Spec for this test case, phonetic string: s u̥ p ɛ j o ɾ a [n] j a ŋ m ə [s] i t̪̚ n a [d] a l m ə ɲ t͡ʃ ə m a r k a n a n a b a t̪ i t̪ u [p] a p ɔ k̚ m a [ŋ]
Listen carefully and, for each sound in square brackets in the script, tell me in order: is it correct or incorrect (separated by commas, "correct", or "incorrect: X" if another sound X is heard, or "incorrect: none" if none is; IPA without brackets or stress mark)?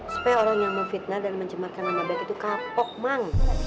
incorrect: ŋ, incorrect: f, correct, incorrect: k, correct